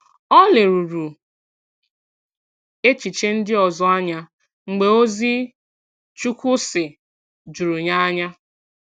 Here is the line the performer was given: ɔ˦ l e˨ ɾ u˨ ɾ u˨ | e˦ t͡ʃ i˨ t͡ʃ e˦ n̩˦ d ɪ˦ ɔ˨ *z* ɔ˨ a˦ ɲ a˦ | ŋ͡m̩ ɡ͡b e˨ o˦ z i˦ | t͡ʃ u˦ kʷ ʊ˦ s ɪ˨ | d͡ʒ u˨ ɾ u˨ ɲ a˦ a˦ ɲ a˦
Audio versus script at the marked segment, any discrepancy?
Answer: no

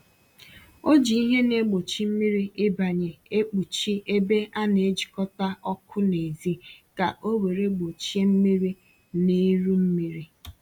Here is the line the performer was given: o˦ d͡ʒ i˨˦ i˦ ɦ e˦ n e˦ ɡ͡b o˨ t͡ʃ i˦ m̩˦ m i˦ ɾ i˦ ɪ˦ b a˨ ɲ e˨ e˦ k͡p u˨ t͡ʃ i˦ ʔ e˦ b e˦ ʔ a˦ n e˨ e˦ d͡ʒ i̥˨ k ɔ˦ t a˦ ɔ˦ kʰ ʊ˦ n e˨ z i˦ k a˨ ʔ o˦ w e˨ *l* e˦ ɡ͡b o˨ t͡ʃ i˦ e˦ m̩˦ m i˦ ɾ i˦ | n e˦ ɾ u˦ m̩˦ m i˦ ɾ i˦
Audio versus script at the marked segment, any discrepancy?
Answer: yes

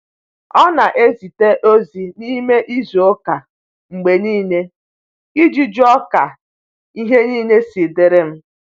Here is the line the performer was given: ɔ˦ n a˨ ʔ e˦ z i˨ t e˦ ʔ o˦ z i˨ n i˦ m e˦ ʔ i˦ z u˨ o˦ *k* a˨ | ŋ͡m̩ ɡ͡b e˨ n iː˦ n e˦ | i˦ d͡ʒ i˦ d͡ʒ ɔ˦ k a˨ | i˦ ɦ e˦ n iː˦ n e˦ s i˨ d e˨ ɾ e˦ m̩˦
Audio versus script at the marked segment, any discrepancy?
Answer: no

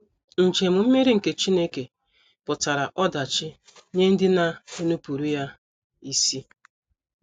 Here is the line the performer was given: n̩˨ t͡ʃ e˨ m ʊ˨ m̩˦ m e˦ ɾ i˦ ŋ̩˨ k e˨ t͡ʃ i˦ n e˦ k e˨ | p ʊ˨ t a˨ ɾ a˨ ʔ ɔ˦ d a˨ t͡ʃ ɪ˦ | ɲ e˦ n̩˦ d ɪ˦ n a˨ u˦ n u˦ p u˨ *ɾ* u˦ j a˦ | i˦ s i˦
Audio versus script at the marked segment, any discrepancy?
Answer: no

